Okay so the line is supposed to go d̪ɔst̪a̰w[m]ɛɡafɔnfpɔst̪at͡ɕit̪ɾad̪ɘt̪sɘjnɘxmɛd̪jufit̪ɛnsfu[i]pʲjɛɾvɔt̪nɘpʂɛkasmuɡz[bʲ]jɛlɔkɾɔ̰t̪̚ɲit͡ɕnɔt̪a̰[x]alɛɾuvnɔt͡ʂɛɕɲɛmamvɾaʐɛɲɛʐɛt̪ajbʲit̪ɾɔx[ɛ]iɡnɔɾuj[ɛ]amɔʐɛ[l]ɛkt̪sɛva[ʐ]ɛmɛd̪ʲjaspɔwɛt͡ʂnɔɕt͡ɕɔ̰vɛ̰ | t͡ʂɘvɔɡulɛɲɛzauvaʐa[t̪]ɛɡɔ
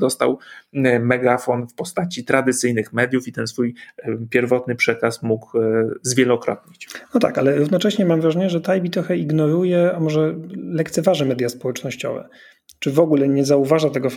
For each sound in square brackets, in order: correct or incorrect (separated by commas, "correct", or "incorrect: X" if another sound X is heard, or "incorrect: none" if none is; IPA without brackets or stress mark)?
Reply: correct, incorrect: j, incorrect: vʲ, incorrect: k, correct, correct, correct, correct, correct